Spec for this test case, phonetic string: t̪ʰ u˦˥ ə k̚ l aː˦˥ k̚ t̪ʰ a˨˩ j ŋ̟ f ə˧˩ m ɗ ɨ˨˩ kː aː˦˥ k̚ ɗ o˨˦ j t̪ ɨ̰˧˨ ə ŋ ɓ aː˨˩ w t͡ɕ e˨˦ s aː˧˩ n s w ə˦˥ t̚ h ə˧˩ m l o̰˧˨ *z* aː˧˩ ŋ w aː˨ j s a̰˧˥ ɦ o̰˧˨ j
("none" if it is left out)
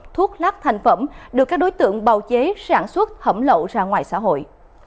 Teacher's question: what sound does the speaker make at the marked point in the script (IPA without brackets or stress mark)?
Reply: z